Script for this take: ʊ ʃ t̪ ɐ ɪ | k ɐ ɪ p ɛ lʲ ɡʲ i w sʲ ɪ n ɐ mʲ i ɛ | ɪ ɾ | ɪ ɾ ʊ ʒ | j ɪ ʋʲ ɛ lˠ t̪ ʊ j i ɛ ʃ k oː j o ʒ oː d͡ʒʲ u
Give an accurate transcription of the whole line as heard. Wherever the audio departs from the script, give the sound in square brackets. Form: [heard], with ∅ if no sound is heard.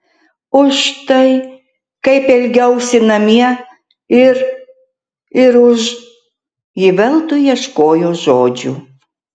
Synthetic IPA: ʊ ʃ t̪ ɐ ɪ | k ɐ ɪ p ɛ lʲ ɡʲ [ɛ] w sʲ ɪ n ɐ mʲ i ɛ | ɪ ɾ | ɪ ɾ ʊ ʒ | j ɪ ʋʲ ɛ lˠ t̪ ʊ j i ɛ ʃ k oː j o ʒ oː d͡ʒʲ u

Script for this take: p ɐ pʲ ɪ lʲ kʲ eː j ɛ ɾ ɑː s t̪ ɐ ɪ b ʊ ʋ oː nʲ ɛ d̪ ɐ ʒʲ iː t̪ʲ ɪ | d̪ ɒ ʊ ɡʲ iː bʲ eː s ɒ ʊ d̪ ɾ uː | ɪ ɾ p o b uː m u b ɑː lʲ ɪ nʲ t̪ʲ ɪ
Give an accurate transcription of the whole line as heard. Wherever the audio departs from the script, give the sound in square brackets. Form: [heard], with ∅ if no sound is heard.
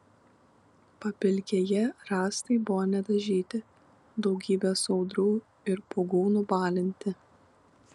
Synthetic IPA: p ɐ pʲ ɪ lʲ kʲ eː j ɛ ɾ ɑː s t̪ ɐ ɪ b ʊ ʋ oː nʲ ɛ d̪ ɐ ʒʲ iː t̪ʲ ɪ | d̪ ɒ ʊ ɡʲ iː bʲ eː s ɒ ʊ d̪ ɾ uː | ɪ ɾ p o [ɡ] uː [n] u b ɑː lʲ ɪ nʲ t̪ʲ ɪ

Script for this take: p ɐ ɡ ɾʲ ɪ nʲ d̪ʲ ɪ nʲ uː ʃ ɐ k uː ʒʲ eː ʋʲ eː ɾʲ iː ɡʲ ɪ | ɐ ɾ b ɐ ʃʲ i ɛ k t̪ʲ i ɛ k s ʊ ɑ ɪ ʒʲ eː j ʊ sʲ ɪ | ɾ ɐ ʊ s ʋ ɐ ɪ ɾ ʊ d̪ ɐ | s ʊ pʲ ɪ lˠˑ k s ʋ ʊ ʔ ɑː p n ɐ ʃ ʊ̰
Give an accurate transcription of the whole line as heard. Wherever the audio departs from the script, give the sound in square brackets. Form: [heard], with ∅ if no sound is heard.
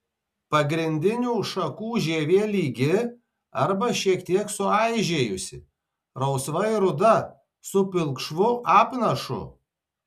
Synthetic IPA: p ɐ ɡ ɾʲ ɪ nʲ d̪ʲ ɪ nʲ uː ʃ ɐ k uː ʒʲ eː ʋʲ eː [lʲ] iː ɡʲ ɪ | ɐ ɾ b ɐ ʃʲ i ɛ k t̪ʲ i ɛ k s ʊ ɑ ɪ ʒʲ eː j ʊ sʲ ɪ | ɾ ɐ ʊ s ʋ ɐ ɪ ɾ ʊ d̪ ɐ | s ʊ pʲ ɪ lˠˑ k [ʃ] ʋ ʊ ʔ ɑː p n ɐ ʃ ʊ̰

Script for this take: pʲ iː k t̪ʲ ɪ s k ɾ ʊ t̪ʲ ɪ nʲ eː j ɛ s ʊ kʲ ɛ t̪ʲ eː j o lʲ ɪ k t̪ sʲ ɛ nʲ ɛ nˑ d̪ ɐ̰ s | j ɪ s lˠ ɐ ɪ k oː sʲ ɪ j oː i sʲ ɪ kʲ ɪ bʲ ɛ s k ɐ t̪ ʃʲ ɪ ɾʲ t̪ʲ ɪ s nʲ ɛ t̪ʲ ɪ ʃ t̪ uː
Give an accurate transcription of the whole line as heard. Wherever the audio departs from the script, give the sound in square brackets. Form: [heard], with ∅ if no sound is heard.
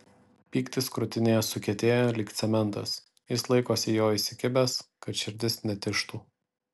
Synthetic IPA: pʲ iː k t̪ʲ ɪ s k ɾ ʊ t̪ʲ ɪ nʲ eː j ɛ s ʊ kʲ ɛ t̪ʲ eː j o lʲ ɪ k t̪ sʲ ɛ [mʲ] ɛ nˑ [t̪] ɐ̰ s | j ɪ s lˠ ɐ ɪ k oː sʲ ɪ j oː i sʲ ɪ kʲ ɪ bʲ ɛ s k ɐ t̪ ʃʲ ɪ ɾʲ [d̪ʲ] ɪ s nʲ ɛ t̪ʲ ɪ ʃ t̪ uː

